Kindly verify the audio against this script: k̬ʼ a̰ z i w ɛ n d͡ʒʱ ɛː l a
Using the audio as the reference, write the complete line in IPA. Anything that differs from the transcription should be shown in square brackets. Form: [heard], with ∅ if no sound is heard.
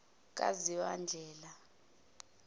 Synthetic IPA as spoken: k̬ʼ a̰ z i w [a] n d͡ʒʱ ɛː l a